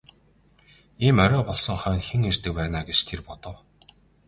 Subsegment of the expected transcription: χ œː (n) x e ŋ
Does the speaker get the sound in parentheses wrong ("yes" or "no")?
no